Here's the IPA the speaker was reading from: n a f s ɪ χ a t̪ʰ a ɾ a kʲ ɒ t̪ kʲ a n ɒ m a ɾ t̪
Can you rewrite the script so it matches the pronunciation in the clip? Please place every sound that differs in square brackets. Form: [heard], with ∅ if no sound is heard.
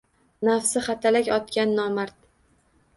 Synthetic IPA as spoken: n a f s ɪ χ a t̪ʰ a [l] a kʲ ɒ t̪ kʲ a [nː] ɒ m a ɾ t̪